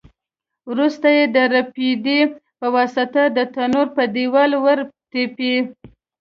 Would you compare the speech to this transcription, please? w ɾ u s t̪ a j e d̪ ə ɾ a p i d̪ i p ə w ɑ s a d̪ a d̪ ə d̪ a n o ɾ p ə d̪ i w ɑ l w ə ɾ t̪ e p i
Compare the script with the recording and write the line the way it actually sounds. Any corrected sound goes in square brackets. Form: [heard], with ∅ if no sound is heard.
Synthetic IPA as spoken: w ɾ u s t̪ a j e d̪ ə ɾ a p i d̪ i p ə w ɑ s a [t̪] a d̪ ə [t̪] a n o ɾ p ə d̪ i w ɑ l w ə ɾ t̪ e p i